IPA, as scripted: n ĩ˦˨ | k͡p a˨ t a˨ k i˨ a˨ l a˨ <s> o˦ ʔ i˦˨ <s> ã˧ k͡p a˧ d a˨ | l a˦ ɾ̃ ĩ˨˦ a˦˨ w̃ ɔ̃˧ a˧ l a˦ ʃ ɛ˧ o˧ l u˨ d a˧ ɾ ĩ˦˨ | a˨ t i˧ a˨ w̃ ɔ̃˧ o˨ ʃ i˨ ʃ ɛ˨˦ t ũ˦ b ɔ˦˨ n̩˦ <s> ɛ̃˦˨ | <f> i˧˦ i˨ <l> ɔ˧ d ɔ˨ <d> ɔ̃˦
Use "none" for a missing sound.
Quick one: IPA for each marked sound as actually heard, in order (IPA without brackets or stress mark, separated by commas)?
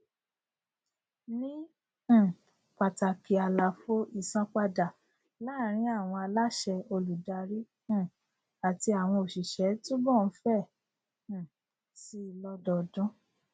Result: f, s, f, s, l, d